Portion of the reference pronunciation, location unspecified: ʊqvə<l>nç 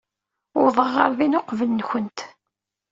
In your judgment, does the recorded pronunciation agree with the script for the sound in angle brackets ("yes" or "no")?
yes